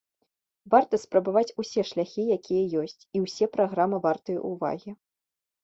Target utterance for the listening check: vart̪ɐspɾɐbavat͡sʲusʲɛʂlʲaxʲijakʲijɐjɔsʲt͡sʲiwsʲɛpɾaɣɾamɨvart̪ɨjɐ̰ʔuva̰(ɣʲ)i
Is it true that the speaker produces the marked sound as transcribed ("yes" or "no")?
yes